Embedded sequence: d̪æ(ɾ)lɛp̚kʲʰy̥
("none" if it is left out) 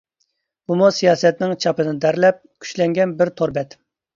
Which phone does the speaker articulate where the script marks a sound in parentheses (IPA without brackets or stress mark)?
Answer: ɾ